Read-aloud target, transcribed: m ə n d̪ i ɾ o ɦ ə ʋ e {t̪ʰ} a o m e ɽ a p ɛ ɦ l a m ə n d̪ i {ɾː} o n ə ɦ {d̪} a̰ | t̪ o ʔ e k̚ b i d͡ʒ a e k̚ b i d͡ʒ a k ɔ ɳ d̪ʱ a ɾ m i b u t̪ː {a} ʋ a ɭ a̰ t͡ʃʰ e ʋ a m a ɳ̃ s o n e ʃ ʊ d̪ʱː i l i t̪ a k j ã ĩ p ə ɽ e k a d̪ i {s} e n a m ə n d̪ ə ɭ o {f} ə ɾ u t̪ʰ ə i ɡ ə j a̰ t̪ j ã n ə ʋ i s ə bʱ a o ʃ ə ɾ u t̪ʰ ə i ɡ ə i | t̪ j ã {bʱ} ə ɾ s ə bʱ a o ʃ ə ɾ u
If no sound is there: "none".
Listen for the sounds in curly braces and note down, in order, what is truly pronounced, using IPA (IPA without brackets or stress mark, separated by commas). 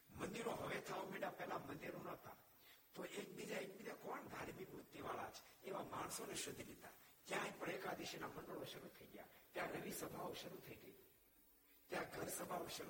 t̪ʰ, ɾ, t̪, i, ʃ, ʃ, ɡʱ